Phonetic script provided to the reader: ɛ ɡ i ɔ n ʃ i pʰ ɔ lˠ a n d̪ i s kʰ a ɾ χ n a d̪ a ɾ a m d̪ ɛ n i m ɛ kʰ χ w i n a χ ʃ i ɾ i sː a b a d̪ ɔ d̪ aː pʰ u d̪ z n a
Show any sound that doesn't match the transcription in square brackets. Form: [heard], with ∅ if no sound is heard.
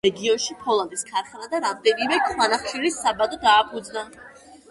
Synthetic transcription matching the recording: ɛ ɡ i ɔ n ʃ i pʰ ɔ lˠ a n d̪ i s kʰ a ɾ χ n a d̪ a ɾ a m d̪ ɛ n i m ɛ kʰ χ w [a] n a χ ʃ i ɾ i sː a b a d̪ ɔ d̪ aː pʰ u d̪ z n a